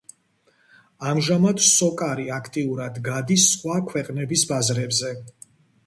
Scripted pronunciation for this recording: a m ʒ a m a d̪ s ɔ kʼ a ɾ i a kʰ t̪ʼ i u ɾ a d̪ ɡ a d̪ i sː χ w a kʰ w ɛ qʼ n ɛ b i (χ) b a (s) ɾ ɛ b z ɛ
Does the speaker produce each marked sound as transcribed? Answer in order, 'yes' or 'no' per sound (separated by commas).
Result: no, no